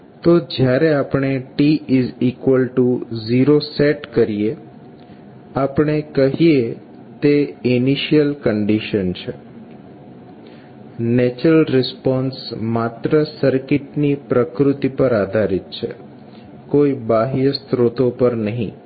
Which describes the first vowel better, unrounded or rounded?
rounded